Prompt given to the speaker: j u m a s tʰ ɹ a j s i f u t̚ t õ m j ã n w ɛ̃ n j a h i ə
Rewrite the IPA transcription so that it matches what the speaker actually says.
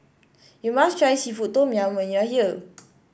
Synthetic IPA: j u m a s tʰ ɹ a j s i f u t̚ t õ m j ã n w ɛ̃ n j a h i ə